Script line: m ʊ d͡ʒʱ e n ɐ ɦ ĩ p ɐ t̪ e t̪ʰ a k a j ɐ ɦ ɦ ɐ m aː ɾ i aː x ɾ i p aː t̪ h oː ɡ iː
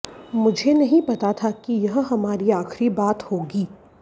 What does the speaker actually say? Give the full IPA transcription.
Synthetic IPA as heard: m ʊ d͡ʒʱ e n ɐ ɦ ĩ p ɐ t̪ a t̪ʰ a k i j ɐ ɦ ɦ ɐ m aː ɾ i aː x ɾ i b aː t̪ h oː ɡ iː